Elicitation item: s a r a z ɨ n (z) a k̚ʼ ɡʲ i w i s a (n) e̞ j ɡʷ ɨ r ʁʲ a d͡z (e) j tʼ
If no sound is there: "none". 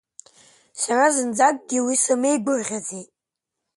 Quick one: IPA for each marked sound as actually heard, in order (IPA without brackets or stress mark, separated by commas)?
d͡z, m, e